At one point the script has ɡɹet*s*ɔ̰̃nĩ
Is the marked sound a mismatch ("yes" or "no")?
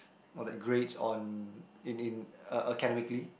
no